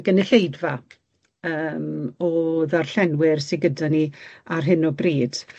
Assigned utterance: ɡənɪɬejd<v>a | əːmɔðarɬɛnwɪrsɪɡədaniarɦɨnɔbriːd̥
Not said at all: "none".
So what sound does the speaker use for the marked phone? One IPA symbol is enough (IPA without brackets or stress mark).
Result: v